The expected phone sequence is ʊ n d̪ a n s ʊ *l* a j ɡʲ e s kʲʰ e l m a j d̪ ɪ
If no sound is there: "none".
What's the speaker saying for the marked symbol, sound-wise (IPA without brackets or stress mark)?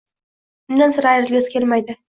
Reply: ɾ